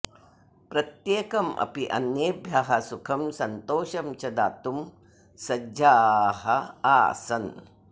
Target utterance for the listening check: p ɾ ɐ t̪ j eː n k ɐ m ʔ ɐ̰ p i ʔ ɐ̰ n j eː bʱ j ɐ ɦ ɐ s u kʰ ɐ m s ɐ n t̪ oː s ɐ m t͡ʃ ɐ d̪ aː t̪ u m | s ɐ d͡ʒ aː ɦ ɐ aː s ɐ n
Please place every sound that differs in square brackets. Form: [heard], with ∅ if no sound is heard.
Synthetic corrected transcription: p ɾ ɐ t̪ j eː [∅] k ɐ m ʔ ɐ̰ p i ʔ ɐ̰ n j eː bʱ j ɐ ɦ ɐ s u kʰ ɐ m s ɐ n t̪ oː [ʃ] ɐ m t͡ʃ ɐ d̪ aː t̪ u m | s ɐ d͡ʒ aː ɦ ɐ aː s ɐ n